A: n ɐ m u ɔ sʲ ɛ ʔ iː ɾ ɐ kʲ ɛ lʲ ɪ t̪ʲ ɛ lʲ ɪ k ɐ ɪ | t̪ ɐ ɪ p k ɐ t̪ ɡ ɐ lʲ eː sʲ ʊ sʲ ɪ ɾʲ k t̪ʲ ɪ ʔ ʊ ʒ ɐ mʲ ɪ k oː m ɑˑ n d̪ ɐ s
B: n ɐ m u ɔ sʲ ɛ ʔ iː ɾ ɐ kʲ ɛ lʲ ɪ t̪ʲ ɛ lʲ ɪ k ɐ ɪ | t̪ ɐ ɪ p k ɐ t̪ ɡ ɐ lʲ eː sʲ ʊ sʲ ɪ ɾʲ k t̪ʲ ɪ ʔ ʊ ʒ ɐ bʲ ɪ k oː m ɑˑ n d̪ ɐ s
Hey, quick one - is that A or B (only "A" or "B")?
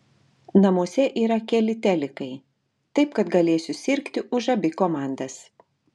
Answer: B